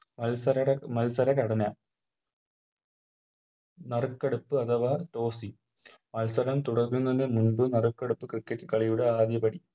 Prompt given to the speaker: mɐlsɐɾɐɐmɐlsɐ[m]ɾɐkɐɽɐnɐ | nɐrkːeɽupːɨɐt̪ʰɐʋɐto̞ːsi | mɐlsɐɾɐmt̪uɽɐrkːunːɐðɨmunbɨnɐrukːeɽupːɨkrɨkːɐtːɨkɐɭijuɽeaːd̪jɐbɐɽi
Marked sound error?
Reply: yes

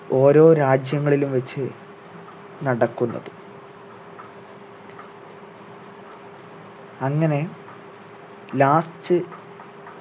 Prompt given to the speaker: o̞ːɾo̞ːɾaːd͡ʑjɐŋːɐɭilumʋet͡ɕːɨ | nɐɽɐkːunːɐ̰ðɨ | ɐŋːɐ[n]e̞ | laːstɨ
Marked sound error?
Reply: no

